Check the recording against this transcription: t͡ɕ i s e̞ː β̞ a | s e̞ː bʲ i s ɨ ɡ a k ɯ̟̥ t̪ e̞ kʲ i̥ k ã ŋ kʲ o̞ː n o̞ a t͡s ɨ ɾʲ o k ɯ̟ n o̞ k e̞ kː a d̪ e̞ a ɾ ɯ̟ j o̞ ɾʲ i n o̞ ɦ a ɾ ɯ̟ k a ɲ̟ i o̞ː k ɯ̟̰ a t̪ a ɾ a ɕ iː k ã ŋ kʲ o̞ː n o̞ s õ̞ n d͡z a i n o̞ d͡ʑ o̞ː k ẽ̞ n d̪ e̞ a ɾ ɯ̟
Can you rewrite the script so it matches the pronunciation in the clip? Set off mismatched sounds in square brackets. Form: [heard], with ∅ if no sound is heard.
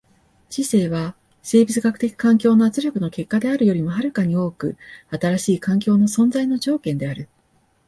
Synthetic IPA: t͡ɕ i s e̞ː β̞ a | s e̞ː bʲ i [t͡s] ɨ ɡ a k ɯ̟̥ t̪ e̞ kʲ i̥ k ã ŋ kʲ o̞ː n o̞ a t͡s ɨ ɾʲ o k ɯ̟ n o̞ k e̞ kː a d̪ e̞ a ɾ ɯ̟ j o̞ ɾʲ i [m] o̞ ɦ a ɾ ɯ̟ k a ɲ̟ i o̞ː k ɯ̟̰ a t̪ a ɾ a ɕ iː k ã ŋ kʲ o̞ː n o̞ s õ̞ n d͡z a i n o̞ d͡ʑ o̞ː k ẽ̞ n d̪ e̞ a ɾ ɯ̟